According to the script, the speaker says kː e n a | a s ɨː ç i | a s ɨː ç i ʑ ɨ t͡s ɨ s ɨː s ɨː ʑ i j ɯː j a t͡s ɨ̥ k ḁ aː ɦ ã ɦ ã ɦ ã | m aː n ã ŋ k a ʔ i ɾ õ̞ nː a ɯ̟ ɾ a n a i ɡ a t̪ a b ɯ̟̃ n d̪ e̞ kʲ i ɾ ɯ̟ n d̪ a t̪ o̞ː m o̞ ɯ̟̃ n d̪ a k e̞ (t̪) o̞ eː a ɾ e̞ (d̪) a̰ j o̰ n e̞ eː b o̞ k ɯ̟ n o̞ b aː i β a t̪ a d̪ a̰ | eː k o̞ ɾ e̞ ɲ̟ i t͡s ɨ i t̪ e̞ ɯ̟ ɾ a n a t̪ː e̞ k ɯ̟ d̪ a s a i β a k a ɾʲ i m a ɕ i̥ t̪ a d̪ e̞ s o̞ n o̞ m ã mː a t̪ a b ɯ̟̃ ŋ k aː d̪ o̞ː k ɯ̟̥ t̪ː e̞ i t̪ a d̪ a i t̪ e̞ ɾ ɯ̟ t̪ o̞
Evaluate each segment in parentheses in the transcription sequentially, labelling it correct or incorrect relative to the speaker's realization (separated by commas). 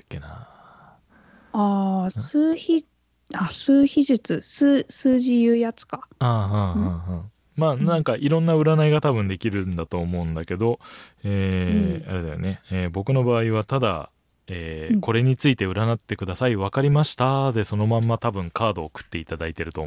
incorrect, correct